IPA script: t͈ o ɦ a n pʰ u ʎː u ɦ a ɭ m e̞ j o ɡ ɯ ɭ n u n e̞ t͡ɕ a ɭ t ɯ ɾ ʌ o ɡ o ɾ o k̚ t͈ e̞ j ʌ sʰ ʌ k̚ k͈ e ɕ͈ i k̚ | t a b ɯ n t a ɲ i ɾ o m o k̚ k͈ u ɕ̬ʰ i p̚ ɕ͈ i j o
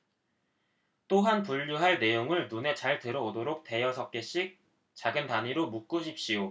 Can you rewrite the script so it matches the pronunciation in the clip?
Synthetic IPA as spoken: t͈ o ɦ a n p u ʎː u ɦ a ɭ n e̞ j o ŋ ɯ ɭ n u n e̞ t͡ɕ a ɭ t ɯ ɾ ʌ o d o ɾ o k̚ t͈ e̞ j ʌ sʰ ʌ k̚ k͈ e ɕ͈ i k̚ | t͡ɕ a ɡ ɯ n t a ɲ i ɾ o m u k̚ k͈ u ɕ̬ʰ i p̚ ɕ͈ i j o

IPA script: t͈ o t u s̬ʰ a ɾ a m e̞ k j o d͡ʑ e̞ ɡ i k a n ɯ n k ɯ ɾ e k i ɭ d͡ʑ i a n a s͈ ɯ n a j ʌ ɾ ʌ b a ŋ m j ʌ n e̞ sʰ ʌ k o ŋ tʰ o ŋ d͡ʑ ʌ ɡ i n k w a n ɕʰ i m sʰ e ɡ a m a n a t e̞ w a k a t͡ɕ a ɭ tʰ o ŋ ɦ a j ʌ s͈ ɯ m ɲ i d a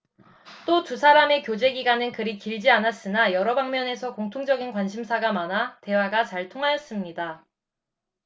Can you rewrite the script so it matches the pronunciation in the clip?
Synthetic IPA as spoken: t͈ o t u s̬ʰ a ɾ a m e̞ k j o d͡ʑ e̞ ɡ i ɡ a n ɯ n k ɯ ɾ i k i ɭ d͡ʑ i a n a s͈ ɯ n a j ʌ ɾ ʌ b a ŋ m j ʌ n e̞ sʰ ʌ k o ŋ tʰ o ŋ d͡ʑ ʌ ɡ i n k w a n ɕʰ i m sʰ a ɡ a m a n a t e̞ w a ɡ a t͡ɕ a ɭ tʰ o ŋ ɦ a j ʌ s͈ ɯ m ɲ i d a

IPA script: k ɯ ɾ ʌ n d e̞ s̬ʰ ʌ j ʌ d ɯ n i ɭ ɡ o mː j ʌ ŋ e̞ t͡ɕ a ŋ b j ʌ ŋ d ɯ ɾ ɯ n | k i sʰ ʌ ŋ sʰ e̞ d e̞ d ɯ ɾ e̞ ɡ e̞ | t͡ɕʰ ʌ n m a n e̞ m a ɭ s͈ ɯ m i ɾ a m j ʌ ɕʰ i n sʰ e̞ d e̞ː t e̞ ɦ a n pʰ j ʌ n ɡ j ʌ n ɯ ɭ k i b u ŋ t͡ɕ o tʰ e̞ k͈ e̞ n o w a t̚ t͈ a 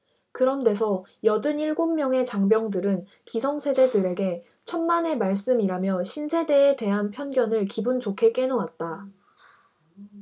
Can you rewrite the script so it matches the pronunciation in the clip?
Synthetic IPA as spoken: k ɯ ɾ ʌ n d e̞ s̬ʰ ʌ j ʌ d ɯ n i ɭ ɡ o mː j ʌ ŋ e̞ t͡ɕ a ŋ b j ʌ ŋ d ɯ ɾ ɯ n | k i sʰ ʌ ŋ sʰ e̞ d e̞ d ɯ ɾ e̞ ɡ e̞ | t͡ɕʰ ʌ n m a n e̞ m a ɭ s͈ ɯ m i ɾ a m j ʌ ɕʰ i n sʰ e̞ d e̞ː t e̞ ɦ a n pʰ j ʌ n ɡ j ʌ n ɯ ɭ k i b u n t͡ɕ o kʰ e̞ k͈ e̞ n o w a t̚ t͈ a

